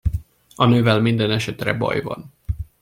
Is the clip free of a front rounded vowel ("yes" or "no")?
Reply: no